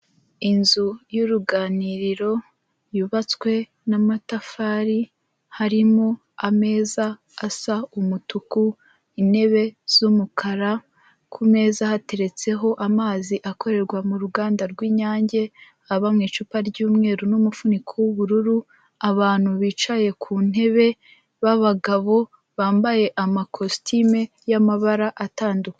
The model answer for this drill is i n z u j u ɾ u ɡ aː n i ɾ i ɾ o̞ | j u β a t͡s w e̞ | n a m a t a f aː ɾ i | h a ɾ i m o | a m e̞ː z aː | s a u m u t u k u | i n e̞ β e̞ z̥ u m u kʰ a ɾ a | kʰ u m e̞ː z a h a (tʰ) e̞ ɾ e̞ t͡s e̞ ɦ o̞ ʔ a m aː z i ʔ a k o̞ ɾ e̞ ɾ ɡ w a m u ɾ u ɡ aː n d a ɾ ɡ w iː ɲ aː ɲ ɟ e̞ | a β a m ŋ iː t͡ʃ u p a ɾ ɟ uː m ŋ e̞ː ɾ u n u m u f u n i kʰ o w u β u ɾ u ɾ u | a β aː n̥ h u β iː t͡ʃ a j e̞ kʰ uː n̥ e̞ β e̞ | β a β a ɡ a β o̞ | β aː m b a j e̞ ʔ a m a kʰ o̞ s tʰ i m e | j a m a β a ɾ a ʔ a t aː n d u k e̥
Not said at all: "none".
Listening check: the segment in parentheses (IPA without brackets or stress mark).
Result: t